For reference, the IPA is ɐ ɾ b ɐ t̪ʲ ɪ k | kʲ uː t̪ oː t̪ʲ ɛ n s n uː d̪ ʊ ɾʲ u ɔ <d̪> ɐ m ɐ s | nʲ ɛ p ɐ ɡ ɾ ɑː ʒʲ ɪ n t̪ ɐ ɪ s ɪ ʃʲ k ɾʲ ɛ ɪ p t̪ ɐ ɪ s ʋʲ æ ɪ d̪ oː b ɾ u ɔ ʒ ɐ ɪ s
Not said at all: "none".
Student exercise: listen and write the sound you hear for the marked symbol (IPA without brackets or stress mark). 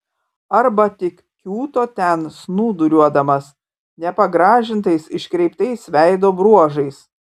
d̪